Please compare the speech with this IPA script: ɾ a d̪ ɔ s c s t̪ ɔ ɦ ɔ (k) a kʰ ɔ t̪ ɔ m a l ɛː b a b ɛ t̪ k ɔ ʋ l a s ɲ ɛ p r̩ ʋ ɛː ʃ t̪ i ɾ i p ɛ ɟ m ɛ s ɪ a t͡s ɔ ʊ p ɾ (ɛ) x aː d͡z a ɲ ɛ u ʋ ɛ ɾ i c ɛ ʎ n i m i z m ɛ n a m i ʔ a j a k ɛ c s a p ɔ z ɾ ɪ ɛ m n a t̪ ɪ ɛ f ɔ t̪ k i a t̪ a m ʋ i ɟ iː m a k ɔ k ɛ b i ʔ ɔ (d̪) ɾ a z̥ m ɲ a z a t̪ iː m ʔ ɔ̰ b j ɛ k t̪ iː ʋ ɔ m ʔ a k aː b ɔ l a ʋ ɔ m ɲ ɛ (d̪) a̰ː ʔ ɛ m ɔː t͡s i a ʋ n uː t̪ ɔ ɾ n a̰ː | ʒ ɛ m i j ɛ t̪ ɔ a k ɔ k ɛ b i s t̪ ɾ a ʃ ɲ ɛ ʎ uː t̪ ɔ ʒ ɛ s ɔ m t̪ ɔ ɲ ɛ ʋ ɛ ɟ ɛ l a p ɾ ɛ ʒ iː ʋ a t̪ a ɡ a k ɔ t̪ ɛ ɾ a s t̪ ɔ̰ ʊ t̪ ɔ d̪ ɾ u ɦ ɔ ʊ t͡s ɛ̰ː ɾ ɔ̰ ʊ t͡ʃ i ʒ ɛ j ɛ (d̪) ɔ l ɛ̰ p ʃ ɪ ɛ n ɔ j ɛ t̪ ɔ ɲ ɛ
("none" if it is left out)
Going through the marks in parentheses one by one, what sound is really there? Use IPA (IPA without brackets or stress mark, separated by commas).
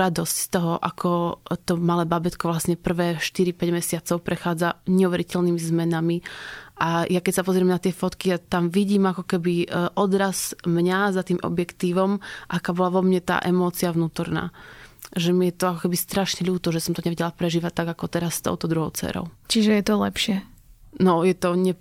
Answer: ʔ, ɛ, d̪, t̪, t̪